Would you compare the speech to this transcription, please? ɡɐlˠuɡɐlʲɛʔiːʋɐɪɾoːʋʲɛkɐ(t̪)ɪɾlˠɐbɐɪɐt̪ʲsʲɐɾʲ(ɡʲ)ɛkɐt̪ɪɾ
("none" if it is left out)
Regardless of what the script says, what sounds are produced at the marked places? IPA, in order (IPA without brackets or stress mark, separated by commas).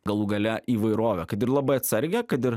t̪, ɡʲ